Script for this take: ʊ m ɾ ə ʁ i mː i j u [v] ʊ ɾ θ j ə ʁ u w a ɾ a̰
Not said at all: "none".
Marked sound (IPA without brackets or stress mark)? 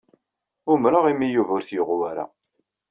v